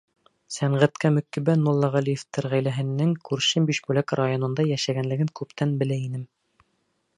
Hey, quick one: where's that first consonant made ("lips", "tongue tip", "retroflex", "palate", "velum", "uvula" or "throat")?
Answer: tongue tip